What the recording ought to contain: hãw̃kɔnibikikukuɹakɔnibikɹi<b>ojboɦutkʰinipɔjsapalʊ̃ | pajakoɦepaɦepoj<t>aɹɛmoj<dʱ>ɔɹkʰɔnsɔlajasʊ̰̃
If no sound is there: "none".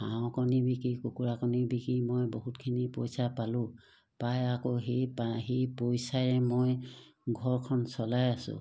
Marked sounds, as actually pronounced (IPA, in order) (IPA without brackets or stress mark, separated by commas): m, s, ɡʱ